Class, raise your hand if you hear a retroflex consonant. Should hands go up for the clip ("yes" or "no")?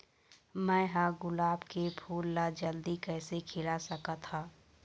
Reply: no